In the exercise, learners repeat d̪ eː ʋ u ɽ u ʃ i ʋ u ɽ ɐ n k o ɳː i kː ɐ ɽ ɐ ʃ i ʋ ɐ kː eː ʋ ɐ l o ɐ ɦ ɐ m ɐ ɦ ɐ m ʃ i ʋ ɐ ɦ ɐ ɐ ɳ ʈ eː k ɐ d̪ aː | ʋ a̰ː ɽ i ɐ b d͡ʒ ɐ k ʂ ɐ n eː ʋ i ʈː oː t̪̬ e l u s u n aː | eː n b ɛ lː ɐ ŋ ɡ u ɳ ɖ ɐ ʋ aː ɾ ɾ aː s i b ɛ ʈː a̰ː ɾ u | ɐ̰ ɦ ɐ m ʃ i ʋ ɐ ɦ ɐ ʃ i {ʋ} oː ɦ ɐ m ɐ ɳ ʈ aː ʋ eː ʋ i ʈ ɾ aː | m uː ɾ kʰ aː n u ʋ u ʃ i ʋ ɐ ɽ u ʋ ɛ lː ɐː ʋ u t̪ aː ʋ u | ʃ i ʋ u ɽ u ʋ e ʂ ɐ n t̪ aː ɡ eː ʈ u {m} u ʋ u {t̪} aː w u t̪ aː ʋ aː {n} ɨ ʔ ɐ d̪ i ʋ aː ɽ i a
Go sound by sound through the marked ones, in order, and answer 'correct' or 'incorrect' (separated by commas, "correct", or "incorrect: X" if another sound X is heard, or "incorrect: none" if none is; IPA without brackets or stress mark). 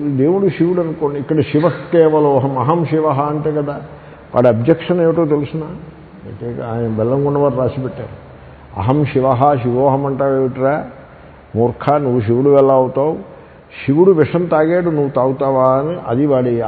correct, incorrect: n, correct, correct